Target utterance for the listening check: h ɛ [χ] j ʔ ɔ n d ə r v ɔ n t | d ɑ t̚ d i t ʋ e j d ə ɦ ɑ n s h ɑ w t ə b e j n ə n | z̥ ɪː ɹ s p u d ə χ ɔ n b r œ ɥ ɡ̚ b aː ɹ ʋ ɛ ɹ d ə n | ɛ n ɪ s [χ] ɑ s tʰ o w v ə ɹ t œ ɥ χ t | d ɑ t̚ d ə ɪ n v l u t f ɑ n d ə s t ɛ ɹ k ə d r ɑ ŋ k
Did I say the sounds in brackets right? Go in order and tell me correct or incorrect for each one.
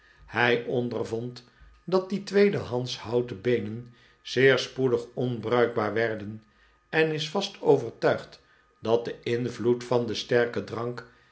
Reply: incorrect, incorrect

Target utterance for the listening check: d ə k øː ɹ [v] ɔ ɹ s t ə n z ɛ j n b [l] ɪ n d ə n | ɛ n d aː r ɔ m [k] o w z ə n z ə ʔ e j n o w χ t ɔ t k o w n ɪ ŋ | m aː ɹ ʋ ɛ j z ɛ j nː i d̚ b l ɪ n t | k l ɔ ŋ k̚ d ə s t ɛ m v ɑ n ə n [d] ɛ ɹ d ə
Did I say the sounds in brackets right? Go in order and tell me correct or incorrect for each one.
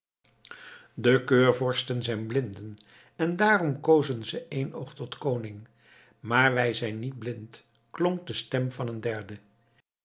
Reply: correct, correct, correct, correct

